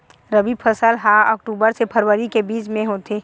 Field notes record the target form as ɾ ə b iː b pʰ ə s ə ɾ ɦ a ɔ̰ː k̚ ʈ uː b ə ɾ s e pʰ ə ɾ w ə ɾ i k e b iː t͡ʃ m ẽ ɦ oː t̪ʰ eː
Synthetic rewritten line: ɾ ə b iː b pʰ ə s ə l ɦ a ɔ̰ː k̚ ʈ uː b ə ɾ s e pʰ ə ɾ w ə ɾ i k e b iː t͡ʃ m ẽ ɦ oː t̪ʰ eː